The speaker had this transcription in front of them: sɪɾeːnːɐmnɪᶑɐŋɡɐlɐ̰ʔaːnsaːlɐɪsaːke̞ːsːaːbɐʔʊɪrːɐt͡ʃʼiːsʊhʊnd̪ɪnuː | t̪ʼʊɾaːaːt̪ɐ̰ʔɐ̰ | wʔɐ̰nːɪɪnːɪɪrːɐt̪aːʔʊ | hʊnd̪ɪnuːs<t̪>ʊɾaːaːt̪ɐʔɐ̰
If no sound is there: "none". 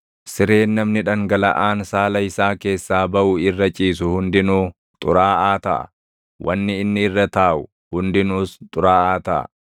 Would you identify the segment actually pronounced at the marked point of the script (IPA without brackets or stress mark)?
t̪ʼ